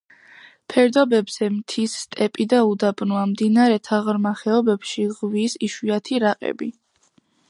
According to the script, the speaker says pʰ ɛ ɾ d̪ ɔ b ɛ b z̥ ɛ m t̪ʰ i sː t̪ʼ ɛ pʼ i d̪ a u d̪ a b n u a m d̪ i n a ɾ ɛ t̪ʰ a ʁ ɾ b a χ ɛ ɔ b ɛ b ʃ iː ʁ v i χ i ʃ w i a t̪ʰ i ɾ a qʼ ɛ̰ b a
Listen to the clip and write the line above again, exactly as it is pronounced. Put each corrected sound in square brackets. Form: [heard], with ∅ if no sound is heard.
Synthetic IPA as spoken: pʰ ɛ ɾ d̪ ɔ b ɛ b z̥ ɛ m t̪ʰ i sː t̪ʼ ɛ pʼ i d̪ a u d̪ a b n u a m d̪ i n a ɾ ɛ t̪ʰ a ʁ ɾ [m] a χ ɛ ɔ b ɛ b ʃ [i] ʁ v i [s] i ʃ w i a t̪ʰ i ɾ a qʼ ɛ̰ b [i]